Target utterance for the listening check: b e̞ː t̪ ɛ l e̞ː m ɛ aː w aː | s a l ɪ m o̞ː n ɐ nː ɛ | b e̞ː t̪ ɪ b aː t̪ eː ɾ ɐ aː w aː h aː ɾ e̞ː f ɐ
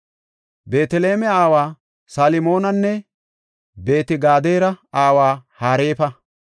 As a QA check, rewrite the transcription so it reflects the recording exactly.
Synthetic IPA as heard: b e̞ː t̪ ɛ l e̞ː m ɛ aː w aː | s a l ɪ m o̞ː n ɐ nː ɛ | b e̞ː t̪ ɪ ɡ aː d̪ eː ɾ ɐ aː w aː h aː ɾ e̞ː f ɐ